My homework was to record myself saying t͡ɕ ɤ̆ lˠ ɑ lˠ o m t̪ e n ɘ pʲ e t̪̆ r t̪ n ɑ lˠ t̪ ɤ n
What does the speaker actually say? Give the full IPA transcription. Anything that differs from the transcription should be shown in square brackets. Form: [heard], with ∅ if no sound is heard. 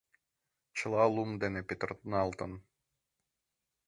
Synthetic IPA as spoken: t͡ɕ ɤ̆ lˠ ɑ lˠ [u] m [d̪] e n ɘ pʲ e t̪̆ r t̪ n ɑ lˠ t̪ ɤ n